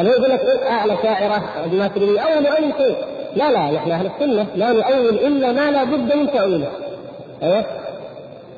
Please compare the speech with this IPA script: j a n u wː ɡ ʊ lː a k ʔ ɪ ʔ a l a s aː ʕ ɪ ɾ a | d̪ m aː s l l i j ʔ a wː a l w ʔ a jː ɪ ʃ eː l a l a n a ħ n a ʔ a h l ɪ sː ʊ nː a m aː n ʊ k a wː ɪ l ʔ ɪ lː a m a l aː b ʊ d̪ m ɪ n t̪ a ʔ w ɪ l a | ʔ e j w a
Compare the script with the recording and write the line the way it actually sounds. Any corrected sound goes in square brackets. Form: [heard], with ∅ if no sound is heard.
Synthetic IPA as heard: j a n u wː ɡ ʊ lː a k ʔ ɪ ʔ a l a [ʃ] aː ʕ ɪ ɾ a | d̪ m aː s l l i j ʔ a wː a l w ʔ a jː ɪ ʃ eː l a l a n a ħ n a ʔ a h l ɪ sː ʊ nː a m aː n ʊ [ʔ] a wː ɪ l ʔ ɪ lː a m a l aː b ʊ [d̪ː] m ɪ n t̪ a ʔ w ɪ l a | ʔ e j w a